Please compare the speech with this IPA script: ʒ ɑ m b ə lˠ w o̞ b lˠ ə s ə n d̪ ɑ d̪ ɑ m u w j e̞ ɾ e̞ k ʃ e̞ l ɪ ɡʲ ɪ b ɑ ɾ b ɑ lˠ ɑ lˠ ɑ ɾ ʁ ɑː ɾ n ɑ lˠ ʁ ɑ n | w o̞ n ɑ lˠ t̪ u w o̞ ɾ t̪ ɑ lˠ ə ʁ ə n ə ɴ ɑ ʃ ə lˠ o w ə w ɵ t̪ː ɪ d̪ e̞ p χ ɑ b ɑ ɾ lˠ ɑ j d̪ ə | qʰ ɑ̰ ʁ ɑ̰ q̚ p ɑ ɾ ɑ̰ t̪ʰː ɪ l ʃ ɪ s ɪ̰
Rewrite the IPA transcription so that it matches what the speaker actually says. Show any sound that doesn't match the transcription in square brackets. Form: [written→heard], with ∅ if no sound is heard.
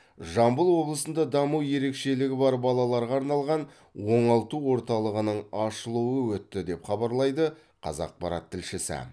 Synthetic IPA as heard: ʒ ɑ m b ə lˠ w o̞ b lˠ ə s ə n d̪ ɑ d̪ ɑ m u w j e̞ ɾ e̞ k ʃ e̞ l ɪ ɡʲ ɪ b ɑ ɾ b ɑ lˠ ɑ lˠ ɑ ɾ ʁ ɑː ɾ n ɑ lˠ ʁ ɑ n | w o̞ [n→ɴ] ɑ lˠ t̪ u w o̞ ɾ t̪ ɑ lˠ ə ʁ ə n ə ɴ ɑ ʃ ə lˠ [o→u] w ə w ɵ t̪ː ɪ d̪ e̞ p χ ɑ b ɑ ɾ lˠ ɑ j d̪ ə | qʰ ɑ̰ [ʁ→z] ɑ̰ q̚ p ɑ ɾ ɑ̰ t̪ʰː ɪ l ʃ ɪ s ɪ̰